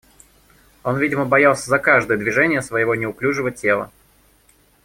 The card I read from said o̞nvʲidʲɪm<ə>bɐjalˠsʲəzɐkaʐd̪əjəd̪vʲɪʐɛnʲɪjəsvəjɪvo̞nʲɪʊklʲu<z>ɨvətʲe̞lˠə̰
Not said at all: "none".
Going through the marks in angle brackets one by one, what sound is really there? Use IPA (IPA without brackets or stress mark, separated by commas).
ə, ʐ